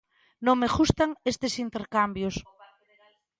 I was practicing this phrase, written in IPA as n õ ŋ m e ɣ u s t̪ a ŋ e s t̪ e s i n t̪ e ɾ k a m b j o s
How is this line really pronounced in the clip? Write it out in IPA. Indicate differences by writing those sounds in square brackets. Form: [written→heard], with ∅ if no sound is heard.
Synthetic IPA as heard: n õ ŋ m e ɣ u s t̪ a ŋ e s t̪ e s i n t̪ e ɾ k a m b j o s